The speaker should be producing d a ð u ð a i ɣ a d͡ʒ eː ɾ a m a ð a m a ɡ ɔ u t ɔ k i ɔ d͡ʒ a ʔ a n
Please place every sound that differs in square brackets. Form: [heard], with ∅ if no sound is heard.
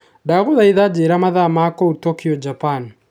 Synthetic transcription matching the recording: d a [ɣ] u ð a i [ð] a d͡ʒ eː ɾ a m a ð a m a [k] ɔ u t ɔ k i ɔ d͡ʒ a [p] a n